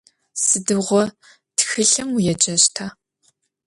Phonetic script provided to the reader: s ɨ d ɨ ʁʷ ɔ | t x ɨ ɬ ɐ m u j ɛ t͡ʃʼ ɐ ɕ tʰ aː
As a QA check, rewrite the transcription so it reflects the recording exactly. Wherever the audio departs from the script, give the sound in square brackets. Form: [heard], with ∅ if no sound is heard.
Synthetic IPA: s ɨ d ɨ ʁʷ ɔ | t x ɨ ɬ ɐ m u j ɛ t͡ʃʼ ɐ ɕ tʰ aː